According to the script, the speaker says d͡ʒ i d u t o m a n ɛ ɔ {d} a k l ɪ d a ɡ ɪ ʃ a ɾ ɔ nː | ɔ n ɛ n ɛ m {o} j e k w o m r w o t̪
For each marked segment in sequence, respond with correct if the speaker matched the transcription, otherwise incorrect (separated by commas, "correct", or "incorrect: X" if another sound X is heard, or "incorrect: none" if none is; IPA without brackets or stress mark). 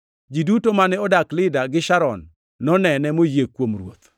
correct, correct